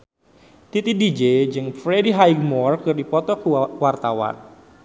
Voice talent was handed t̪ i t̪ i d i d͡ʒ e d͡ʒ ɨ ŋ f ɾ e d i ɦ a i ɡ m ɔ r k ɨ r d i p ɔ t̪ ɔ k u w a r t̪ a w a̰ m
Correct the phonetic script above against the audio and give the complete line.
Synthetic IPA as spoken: t̪ i t̪ i d i d͡ʒ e d͡ʒ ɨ ŋ f ɾ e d i ɦ a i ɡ m ɔ r k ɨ r d i p ɔ t̪ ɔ k u w a r t̪ a w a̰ n

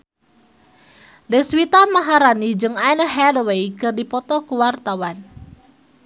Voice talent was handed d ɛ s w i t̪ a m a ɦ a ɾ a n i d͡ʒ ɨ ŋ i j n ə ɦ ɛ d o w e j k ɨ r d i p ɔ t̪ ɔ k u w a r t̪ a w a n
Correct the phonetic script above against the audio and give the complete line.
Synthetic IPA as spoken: d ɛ s w i t̪ a m a ɦ a ɾ a n i d͡ʒ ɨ ŋ a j n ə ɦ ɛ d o w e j k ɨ r d i p ɔ t̪ ɔ k u w a r t̪ a w a n

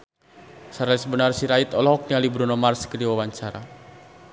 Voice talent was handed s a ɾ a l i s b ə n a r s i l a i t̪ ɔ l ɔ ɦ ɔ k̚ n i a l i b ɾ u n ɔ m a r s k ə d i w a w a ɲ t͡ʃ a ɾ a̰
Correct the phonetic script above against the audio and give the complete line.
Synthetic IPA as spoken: s a ɾ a l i s b ə n a r s i ɾ a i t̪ ɔ l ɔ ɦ ɔ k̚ n i a l i b ɾ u n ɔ m a r s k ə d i w a w a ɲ t͡ʃ a ɾ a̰

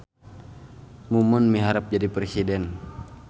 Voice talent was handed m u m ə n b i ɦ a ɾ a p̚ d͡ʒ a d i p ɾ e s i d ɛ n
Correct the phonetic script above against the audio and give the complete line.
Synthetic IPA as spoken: m u m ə n m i ɦ a ɾ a p̚ d͡ʒ a d i p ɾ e s i d ɛ n

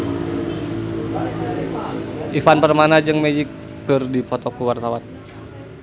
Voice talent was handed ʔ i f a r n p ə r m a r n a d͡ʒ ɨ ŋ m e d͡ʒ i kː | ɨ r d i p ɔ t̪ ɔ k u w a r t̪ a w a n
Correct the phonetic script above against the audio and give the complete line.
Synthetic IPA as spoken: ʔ i f a n p ə r m a n a d͡ʒ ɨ ŋ m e d͡ʒ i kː | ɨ r d i p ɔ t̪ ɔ k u w a r t̪ a w a n

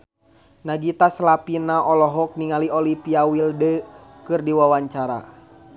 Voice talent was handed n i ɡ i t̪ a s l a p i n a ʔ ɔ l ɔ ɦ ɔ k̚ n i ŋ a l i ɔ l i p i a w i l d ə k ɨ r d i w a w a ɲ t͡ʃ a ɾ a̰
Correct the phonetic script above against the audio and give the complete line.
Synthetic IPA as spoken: n a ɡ i t̪ a s l a p i n a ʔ ɔ l ɔ ɦ ɔ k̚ n i ŋ a l i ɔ l i p i a w i l d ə k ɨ r d i w a w a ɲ t͡ʃ a ɾ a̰

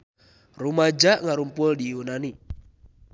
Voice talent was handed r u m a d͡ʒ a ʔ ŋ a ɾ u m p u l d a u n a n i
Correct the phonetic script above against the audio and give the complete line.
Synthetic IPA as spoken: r u m a d͡ʒ a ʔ ŋ a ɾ u m p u l d i u n a n i

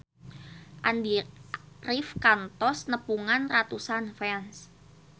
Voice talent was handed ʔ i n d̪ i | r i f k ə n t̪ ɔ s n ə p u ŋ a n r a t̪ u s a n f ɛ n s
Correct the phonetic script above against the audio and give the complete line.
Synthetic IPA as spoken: ʔ a n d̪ i | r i f k a n t̪ ɔ s n ə p u ŋ a n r a t̪ u s a n f ɛ n s

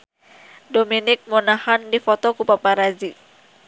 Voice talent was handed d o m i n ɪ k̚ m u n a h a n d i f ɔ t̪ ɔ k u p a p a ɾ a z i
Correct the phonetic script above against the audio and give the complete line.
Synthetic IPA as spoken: d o m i n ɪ k̚ m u n a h a n d i f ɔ t̪ ɔ k u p a p a ɾ a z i

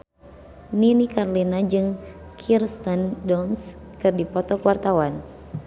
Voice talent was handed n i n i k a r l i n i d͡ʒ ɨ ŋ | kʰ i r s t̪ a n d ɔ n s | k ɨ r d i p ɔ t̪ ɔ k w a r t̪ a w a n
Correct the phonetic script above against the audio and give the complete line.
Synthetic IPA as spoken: n i n i k a r l i n a d͡ʒ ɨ ŋ | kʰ i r s t̪ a n d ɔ n s | k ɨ r d i p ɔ t̪ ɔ k w a r t̪ a w a n

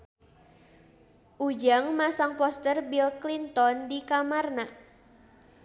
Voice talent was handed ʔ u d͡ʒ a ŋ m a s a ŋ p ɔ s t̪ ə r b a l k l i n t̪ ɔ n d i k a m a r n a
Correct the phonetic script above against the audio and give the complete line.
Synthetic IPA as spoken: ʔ u d͡ʒ a ŋ m a s a ŋ p ɔ s t̪ ə r b i l k l i n t̪ ɔ n d i k a m a r n a

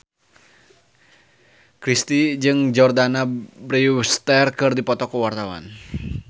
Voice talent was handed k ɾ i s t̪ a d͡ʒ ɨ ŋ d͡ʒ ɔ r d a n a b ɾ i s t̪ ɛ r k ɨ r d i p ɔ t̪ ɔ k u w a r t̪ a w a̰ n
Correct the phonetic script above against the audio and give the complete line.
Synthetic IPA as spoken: k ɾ i s t̪ i d͡ʒ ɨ ŋ d͡ʒ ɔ r d a n a b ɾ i s t̪ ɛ r k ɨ r d i p ɔ t̪ ɔ k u w a r t̪ a w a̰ n

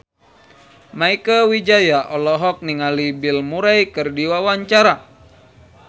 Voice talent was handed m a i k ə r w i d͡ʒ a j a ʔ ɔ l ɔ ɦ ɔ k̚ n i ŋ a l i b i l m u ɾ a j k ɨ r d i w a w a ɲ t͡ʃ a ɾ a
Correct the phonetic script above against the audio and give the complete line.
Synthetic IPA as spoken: m a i k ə w i d͡ʒ a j a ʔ ɔ l ɔ ɦ ɔ k̚ n i ŋ a l i b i l m u ɾ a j k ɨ r d i w a w a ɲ t͡ʃ a ɾ a

